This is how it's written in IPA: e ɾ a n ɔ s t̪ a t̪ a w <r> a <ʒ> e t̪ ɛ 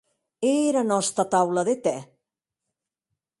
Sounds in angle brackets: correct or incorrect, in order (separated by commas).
incorrect, incorrect